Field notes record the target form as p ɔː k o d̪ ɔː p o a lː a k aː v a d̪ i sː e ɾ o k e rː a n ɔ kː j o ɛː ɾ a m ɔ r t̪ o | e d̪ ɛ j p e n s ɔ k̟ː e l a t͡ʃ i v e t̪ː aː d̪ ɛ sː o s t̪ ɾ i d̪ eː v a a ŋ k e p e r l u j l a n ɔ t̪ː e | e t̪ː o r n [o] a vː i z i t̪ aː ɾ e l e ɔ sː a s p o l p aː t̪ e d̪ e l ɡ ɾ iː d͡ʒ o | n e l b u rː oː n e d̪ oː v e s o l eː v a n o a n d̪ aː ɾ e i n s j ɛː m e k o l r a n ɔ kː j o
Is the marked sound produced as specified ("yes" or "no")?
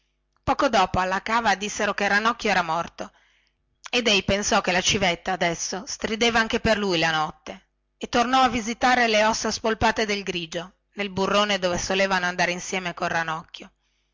no